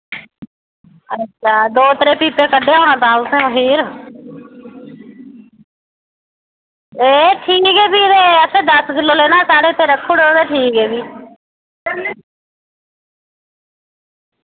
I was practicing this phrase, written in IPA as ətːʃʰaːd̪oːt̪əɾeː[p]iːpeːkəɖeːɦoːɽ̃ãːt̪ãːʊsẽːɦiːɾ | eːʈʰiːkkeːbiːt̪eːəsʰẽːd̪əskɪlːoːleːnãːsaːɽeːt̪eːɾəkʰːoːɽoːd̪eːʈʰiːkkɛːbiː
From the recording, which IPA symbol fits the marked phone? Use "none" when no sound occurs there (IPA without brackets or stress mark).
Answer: p